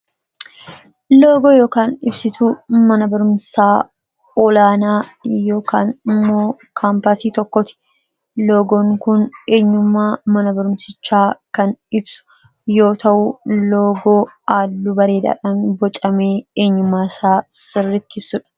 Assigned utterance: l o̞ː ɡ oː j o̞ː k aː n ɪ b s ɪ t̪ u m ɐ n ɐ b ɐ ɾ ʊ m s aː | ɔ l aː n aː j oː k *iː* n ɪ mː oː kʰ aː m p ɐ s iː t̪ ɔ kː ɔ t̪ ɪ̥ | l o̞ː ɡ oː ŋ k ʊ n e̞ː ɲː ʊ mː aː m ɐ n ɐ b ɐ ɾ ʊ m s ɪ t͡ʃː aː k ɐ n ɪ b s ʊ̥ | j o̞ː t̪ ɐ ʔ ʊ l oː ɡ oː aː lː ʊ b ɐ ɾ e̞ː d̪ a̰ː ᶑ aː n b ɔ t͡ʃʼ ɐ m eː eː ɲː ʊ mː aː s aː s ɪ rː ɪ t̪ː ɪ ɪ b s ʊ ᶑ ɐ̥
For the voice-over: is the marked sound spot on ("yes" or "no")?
no